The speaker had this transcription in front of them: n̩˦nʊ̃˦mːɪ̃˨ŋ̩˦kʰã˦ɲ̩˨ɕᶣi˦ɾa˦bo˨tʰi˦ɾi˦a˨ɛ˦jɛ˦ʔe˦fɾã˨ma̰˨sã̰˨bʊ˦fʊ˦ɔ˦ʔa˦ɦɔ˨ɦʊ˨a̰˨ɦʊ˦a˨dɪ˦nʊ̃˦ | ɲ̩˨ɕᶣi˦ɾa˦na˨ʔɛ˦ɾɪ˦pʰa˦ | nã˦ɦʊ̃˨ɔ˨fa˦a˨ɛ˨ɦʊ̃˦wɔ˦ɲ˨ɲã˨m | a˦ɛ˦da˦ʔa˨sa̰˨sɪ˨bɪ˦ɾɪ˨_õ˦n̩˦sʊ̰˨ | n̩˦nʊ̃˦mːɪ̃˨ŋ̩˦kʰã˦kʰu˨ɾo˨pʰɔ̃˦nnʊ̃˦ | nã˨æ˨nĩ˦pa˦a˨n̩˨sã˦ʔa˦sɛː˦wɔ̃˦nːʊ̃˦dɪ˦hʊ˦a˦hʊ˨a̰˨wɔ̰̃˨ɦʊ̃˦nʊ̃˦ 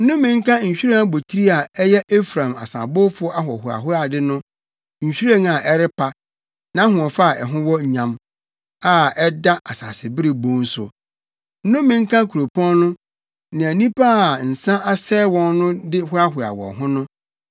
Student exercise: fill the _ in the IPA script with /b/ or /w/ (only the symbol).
b